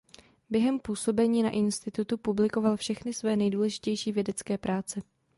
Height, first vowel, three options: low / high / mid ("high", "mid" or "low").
mid